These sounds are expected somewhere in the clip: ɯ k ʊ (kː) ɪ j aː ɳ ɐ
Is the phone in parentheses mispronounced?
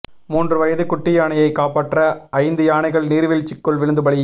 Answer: yes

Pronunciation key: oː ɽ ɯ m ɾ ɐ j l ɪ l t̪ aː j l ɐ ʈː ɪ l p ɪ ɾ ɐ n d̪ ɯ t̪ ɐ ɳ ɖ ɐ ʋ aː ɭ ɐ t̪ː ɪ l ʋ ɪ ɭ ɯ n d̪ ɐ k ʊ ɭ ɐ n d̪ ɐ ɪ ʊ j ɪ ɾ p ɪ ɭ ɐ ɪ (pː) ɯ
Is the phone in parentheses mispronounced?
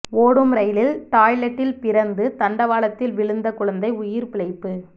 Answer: no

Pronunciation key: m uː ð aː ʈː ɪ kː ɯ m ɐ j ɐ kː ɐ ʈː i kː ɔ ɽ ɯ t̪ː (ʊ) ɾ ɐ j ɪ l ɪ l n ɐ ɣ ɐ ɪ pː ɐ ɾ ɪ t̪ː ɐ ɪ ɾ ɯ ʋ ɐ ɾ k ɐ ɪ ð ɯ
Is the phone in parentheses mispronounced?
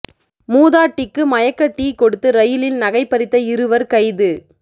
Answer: yes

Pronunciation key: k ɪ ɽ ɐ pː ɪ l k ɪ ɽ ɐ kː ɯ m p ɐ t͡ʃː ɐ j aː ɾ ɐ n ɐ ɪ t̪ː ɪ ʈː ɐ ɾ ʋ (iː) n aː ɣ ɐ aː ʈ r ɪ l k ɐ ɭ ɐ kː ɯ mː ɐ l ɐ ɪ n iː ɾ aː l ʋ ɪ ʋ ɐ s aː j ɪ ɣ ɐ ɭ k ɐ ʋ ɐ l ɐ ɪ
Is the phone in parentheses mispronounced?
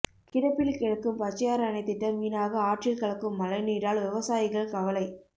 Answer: no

